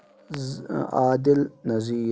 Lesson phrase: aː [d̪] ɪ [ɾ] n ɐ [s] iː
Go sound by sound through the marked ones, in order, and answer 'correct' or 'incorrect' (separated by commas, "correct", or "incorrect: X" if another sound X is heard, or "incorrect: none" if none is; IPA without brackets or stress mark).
correct, incorrect: l, incorrect: z